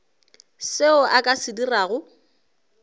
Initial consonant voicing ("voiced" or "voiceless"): voiceless